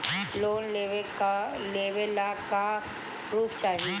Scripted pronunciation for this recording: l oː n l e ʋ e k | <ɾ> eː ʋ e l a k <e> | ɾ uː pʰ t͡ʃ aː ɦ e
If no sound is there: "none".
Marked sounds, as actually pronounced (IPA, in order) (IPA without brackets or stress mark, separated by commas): l, a